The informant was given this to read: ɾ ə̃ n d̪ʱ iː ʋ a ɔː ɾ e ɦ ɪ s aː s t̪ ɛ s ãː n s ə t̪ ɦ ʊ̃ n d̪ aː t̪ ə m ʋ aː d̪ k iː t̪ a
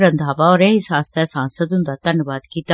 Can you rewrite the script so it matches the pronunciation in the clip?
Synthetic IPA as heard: ɾ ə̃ n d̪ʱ aː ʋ a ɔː ɾ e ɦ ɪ s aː s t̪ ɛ s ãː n s ə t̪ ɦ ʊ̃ n d̪ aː t̪ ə n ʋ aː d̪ k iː t̪ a